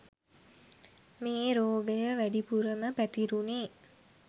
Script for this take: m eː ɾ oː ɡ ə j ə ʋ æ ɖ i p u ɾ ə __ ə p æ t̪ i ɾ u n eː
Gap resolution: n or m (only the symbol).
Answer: m